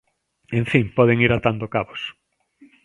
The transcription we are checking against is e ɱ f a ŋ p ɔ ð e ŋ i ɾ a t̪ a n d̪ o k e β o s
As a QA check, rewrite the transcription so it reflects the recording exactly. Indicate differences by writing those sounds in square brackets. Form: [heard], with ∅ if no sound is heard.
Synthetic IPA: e ɱ f [i] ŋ p ɔ ð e ŋ i ɾ a t̪ a n d̪ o k [a] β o s